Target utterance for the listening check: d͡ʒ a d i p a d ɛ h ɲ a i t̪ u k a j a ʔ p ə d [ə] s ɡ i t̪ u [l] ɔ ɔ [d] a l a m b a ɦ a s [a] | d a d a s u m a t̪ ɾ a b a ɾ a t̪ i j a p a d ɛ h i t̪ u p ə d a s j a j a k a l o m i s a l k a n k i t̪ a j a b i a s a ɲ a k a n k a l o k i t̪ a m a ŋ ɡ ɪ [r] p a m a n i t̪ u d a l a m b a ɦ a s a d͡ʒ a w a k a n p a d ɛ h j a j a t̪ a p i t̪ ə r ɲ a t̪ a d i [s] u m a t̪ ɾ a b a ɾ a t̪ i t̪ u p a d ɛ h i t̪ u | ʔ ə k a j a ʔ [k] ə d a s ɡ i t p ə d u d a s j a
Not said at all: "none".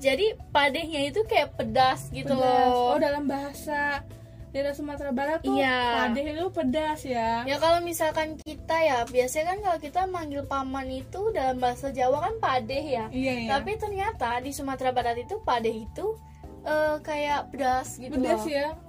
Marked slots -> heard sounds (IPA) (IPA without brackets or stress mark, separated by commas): a, l, d, a, l, s, p